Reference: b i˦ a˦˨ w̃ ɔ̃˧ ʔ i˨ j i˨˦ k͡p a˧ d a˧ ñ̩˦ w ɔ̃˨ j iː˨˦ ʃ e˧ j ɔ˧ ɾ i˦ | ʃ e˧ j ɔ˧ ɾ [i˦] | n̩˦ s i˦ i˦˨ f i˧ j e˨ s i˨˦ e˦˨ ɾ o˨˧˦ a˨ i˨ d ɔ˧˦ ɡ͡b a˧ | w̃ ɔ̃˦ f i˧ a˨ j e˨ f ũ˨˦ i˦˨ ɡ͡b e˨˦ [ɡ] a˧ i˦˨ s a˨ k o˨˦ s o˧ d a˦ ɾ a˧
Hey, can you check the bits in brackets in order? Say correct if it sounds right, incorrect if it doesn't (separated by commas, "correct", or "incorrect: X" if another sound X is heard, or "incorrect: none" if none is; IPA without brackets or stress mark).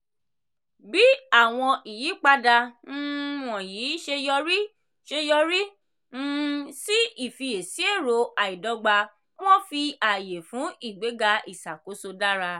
correct, correct